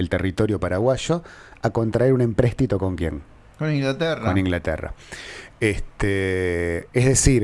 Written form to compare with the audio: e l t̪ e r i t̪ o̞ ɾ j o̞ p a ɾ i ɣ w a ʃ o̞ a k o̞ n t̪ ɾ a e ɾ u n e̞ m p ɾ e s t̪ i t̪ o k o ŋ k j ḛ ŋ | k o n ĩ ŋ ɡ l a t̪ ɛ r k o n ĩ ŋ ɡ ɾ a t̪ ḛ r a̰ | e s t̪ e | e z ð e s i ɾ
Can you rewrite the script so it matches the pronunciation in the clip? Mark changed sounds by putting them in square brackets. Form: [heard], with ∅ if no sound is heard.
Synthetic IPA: e l t̪ e r i t̪ o̞ ɾ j o̞ p a ɾ [a] ɣ w a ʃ o̞ a k o̞ n t̪ ɾ a e ɾ u n e̞ m p ɾ e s t̪ i t̪ o k o ŋ k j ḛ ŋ | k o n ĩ ŋ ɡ l a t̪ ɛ r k o n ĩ ŋ ɡ [l] a t̪ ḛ r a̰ | e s t̪ e | e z ð e s i ɾ